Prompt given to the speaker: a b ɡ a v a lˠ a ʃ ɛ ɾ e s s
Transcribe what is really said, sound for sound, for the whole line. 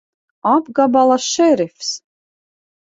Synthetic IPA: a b ɡ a b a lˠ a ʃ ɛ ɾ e f s